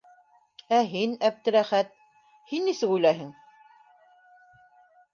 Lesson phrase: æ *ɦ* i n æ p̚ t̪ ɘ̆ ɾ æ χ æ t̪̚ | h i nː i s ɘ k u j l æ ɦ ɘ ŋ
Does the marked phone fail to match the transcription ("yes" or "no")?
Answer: no